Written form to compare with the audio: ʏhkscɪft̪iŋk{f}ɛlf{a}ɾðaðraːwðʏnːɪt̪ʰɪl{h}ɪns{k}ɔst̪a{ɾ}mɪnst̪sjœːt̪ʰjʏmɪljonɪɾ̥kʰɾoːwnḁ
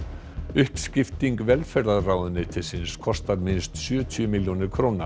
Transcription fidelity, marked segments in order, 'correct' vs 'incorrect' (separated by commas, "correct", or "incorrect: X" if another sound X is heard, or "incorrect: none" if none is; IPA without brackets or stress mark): incorrect: v, incorrect: ɛ, incorrect: s, incorrect: kʰ, correct